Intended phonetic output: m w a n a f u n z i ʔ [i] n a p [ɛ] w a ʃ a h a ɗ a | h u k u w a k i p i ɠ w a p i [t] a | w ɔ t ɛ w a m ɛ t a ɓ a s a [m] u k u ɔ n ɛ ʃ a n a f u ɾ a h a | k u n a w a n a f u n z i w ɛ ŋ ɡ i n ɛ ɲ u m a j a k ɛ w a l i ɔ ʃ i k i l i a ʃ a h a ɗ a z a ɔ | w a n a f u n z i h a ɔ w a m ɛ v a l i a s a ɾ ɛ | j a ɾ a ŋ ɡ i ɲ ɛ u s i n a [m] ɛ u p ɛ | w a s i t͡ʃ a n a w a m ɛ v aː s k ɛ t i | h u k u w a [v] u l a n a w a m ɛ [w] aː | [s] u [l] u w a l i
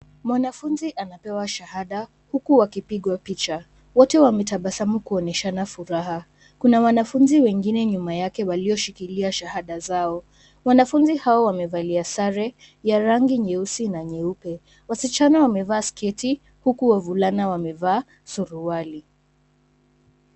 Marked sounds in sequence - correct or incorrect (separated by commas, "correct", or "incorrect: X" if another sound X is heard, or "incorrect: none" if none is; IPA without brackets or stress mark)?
incorrect: a, correct, incorrect: t͡ʃ, correct, incorrect: ɲ, correct, incorrect: v, correct, incorrect: ɾ